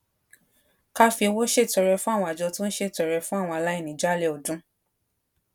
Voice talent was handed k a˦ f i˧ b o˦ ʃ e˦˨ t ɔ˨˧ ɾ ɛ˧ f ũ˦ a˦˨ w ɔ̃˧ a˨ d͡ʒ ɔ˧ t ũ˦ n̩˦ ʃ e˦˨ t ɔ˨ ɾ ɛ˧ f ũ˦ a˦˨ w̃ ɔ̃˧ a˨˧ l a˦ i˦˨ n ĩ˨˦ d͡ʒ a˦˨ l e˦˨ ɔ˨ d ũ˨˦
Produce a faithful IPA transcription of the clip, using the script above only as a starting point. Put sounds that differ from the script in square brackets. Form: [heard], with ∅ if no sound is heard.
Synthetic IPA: k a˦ f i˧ [w] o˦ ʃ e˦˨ t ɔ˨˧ ɾ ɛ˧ f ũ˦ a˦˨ w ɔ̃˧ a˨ d͡ʒ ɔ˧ t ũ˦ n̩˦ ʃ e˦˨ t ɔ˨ ɾ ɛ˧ f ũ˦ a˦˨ w̃ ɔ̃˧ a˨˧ l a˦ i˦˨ n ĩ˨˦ d͡ʒ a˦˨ l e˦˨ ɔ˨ d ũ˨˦